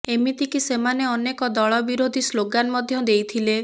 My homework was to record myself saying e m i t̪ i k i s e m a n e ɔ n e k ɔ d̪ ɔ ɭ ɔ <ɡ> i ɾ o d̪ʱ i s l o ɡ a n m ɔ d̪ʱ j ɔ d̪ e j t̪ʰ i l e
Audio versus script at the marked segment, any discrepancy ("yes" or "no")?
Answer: yes